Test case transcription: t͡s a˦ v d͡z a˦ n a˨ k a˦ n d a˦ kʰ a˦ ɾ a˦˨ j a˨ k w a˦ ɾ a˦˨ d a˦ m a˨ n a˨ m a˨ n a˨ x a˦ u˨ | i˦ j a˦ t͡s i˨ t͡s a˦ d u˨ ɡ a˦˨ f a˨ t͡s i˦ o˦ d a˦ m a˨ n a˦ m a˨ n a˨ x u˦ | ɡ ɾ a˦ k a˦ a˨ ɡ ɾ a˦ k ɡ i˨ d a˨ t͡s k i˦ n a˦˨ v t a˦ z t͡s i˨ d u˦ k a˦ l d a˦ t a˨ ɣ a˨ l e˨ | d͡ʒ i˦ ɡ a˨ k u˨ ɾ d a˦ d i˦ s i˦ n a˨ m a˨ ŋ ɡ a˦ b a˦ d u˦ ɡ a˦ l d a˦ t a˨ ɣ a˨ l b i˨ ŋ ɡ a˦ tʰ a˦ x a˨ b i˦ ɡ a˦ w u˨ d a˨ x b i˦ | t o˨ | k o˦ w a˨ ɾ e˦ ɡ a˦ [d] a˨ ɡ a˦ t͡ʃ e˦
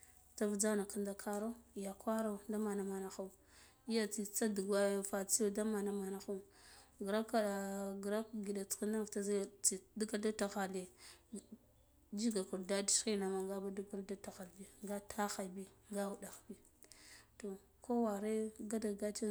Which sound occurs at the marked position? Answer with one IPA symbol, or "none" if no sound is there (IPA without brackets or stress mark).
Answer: d